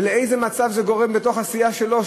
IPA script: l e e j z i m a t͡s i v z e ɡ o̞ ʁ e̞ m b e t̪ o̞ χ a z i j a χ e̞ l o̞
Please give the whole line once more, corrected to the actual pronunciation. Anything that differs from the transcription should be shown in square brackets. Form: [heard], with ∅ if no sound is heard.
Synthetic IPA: l e e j z [e] m a t͡s [a] v z e ɡ o̞ ʁ e̞ m b e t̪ o̞ χ a [s] i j a [ʃ] e̞ l o̞